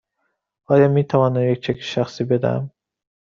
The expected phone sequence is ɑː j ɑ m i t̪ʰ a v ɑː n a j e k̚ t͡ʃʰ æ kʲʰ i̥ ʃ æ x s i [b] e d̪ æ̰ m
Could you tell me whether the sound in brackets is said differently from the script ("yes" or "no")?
no